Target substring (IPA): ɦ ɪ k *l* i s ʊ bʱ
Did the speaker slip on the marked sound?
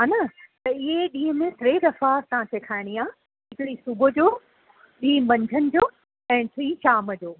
yes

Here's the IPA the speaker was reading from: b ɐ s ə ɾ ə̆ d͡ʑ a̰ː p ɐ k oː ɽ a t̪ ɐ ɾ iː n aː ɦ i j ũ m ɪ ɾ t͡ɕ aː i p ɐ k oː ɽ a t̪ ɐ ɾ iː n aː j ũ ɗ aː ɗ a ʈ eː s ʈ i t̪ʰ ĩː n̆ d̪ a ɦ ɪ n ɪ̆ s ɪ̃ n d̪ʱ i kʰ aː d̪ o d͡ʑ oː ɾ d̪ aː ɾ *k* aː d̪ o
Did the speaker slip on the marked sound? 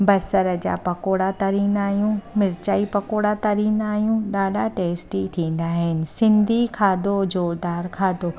yes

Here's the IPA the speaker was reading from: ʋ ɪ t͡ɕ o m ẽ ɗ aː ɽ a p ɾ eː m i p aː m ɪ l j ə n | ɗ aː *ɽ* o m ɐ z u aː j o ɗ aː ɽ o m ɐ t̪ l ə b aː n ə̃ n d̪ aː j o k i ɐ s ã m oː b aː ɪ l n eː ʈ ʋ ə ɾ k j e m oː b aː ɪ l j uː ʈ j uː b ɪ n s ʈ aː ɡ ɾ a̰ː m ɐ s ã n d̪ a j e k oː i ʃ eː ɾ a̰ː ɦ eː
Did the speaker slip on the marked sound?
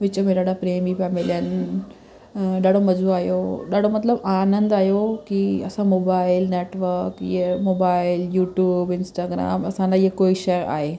no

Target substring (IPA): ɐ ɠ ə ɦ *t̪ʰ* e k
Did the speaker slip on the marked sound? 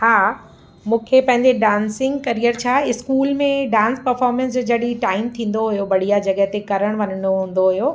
yes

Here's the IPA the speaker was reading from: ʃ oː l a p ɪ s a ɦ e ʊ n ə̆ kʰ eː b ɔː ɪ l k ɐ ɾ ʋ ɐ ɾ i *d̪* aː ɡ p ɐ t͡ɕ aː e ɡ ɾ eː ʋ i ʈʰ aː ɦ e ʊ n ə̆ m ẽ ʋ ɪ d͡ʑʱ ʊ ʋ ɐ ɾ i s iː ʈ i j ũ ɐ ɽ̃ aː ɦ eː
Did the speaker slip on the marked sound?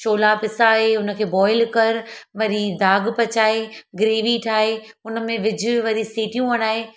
no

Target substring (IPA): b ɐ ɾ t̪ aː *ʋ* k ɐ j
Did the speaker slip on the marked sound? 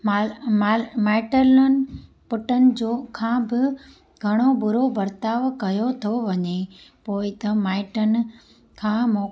no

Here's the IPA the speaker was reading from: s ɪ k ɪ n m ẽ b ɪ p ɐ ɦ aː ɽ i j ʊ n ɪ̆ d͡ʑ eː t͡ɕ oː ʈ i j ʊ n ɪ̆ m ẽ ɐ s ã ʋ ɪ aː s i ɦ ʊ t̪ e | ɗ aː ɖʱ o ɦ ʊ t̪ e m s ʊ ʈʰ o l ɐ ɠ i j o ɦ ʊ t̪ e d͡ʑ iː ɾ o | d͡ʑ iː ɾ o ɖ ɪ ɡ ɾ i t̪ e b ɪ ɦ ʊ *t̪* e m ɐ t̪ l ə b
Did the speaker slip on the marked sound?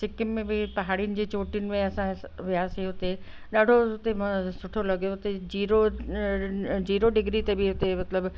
no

